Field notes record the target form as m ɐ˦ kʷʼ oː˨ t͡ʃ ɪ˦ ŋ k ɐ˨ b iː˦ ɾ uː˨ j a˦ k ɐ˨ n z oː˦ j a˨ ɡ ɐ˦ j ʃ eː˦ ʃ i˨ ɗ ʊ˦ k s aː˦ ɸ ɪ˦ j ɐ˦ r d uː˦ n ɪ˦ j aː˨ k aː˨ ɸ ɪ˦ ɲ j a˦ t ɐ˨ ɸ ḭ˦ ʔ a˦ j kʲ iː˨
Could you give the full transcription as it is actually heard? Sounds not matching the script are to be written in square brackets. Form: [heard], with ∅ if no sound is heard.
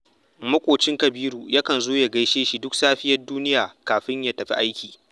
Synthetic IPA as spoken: m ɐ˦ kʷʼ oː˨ t͡ʃ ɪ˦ ŋ k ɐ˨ b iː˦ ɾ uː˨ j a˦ k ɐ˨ n z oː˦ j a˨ ɡ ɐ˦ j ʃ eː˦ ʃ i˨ [d] ʊ˦ k s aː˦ ɸ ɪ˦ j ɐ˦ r d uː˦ n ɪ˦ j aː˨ k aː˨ ɸ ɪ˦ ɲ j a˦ t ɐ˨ ɸ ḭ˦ ʔ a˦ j kʲ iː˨